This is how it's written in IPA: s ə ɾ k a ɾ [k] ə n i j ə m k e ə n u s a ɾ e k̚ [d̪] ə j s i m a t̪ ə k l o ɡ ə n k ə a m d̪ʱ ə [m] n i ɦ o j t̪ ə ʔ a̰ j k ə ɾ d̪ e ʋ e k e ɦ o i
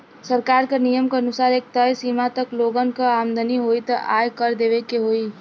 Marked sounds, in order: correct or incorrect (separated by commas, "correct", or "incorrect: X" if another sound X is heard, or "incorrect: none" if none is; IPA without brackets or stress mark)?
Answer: correct, incorrect: t̪, incorrect: none